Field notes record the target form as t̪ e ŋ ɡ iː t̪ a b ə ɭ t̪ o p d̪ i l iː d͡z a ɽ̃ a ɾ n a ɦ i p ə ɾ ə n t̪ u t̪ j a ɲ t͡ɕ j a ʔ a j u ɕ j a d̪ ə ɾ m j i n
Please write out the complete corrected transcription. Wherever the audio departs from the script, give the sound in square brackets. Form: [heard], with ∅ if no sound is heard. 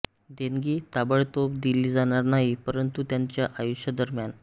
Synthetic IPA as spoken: [d̪] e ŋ ɡ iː t̪ a b ə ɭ t̪ o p d̪ i l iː d͡z a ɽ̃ a ɾ n a ɦ i p ə ɾ ə n t̪ u t̪ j a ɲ t͡ɕ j a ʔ a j u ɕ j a d̪ ə ɾ m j [a] n